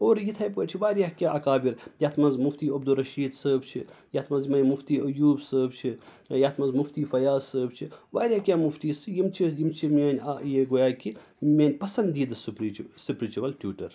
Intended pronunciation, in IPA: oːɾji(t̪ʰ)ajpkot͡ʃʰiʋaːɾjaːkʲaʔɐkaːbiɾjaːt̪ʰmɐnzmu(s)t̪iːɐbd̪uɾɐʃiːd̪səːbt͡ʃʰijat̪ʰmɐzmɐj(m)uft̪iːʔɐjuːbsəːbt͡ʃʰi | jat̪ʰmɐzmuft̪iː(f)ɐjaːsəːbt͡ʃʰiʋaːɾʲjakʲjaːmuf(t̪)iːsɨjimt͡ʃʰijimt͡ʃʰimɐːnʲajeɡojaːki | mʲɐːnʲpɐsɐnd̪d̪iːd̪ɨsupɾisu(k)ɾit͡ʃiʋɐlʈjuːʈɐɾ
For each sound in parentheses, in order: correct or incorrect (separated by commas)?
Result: correct, incorrect, correct, correct, correct, incorrect